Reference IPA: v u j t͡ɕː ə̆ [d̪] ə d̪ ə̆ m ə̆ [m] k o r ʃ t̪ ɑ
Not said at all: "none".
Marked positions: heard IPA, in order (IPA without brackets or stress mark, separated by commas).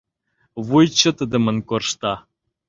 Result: t̪, n